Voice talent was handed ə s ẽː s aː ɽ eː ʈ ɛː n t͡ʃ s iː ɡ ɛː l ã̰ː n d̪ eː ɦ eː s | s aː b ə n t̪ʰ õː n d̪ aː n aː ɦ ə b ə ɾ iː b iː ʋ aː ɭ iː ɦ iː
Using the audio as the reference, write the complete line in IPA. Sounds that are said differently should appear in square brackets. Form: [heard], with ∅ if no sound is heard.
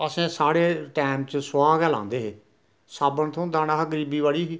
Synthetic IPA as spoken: ə s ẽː s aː ɽ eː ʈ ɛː [m] t͡ʃ s [aː] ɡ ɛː l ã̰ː n d̪ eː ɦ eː [∅] | s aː b ə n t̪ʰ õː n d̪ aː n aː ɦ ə [ɡ] ə ɾ iː b iː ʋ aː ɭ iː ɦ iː